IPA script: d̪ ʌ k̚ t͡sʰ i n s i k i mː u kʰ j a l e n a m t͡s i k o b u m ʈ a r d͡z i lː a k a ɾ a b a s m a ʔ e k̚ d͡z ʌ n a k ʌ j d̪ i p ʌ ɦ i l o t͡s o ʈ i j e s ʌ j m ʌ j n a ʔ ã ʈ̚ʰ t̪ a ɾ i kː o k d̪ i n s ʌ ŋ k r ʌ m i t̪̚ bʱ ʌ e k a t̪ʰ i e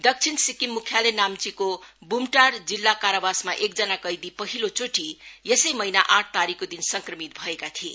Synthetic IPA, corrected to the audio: d̪ ʌ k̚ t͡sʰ i n s i k i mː u kʰ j a l e n a m t͡s i k o b u m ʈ a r d͡z i lː a k a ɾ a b a s m a ʔ e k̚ d͡z ʌ n a k ʌ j d̪ i p ʌ ɦ i l o t͡s o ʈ i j e s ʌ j m ʌ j n a ʔ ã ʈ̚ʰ t̪ a ɾ i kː o d̪ i n s ʌ ŋ k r ʌ m i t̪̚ bʱ ʌ e k a t̪ʰ i e